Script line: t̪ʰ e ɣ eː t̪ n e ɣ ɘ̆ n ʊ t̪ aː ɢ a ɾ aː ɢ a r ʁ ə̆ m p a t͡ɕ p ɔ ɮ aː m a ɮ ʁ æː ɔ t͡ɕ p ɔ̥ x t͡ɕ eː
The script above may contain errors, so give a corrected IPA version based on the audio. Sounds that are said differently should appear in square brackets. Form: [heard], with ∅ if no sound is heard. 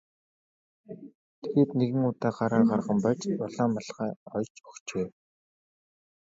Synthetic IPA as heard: t̪ʰ e ɣ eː t̪ n e ɣ ɘ̆ [ŋ] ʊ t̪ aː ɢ a ɾ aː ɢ a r ʁ ə̆ m p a t͡ɕ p ɔ ɮ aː m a ɮ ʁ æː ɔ t͡ɕ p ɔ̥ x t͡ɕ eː